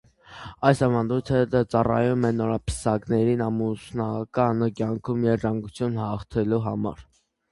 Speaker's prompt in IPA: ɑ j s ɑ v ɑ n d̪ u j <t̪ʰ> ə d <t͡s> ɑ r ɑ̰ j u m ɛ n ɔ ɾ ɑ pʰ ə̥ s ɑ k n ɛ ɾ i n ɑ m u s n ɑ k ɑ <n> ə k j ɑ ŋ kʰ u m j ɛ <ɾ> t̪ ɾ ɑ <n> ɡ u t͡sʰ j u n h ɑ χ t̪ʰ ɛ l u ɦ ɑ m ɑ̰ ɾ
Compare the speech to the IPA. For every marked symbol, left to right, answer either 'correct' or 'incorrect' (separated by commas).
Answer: correct, correct, correct, correct, incorrect